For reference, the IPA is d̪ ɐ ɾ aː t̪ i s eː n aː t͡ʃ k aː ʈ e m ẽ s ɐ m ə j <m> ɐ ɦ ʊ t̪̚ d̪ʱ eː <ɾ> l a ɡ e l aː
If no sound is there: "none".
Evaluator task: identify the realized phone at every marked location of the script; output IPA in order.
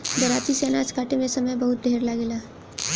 b, ɾ

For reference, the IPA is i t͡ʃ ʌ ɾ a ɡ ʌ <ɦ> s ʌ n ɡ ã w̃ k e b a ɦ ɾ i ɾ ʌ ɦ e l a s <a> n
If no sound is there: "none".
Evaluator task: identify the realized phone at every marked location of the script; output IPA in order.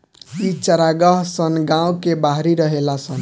ɦ, ʌ

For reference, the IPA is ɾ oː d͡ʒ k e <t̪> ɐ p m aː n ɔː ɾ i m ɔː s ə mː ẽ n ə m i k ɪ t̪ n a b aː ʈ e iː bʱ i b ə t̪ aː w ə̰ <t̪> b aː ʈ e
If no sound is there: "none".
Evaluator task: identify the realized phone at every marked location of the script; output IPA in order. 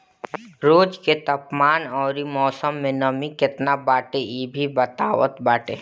t̪, t̪

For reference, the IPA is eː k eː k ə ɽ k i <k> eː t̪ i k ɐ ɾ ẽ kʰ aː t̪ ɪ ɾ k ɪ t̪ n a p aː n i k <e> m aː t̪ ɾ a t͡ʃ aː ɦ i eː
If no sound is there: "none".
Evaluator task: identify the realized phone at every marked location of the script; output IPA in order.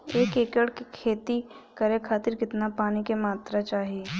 kʰ, e

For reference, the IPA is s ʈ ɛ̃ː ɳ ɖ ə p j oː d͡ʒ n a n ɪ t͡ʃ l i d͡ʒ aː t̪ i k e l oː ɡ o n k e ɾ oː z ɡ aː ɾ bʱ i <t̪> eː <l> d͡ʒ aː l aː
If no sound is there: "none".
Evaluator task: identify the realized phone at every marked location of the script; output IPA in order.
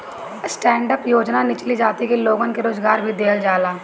d̪, l

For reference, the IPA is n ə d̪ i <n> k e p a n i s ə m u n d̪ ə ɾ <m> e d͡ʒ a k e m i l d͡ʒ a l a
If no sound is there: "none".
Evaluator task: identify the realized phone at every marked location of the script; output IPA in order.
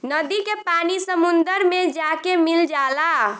none, m

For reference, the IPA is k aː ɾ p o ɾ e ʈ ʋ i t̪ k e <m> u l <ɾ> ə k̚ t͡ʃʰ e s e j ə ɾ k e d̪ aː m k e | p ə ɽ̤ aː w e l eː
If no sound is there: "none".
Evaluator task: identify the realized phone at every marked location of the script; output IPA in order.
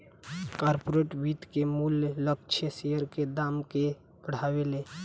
m, l

